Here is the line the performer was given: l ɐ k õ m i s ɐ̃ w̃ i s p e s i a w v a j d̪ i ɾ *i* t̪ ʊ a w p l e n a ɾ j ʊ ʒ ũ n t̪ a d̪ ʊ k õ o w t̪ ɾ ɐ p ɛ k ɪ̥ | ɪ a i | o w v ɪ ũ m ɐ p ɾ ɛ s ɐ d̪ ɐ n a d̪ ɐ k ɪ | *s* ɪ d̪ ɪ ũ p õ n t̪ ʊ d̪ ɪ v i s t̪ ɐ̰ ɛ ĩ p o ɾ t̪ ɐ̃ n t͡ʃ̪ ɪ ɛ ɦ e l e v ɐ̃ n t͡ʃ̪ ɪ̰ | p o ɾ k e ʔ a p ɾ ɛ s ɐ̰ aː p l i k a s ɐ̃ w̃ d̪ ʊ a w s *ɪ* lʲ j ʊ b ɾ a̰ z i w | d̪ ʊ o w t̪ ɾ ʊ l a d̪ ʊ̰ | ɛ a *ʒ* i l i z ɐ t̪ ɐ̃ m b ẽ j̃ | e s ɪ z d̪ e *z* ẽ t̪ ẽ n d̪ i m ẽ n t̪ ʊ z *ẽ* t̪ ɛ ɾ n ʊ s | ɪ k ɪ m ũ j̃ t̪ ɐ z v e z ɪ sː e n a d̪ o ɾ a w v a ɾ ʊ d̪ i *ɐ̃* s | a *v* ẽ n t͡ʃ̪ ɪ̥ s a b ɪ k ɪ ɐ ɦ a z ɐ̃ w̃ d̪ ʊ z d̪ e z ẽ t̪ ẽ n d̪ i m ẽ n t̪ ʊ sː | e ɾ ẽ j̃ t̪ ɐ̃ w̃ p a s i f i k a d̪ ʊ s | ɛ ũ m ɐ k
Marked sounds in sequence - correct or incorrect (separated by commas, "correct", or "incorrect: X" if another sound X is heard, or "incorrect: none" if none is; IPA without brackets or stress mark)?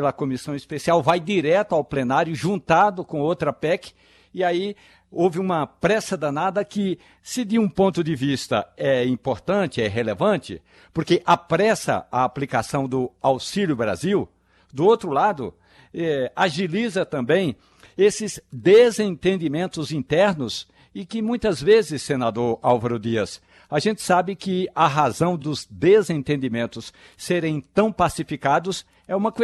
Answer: incorrect: ɛ, correct, incorrect: i, correct, correct, incorrect: ĩ, incorrect: ɐ, incorrect: ʒ